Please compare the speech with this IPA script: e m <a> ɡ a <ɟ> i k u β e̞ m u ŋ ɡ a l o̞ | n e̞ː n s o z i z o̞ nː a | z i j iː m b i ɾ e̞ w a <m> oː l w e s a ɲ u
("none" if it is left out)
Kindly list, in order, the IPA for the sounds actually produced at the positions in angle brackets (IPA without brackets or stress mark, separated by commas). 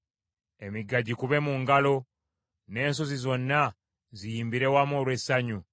i, ɟ, m